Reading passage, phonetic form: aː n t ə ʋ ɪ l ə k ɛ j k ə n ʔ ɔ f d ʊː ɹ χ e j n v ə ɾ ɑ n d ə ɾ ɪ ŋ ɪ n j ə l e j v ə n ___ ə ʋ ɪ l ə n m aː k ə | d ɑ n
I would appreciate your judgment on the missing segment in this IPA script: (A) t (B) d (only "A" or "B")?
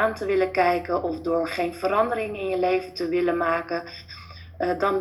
A